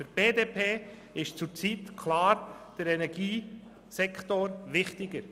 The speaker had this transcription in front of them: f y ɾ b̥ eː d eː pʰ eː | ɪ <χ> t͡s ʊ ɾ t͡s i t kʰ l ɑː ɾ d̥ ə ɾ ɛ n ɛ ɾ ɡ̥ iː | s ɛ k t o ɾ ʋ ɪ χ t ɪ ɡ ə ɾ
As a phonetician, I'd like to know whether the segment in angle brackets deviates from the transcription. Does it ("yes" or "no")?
yes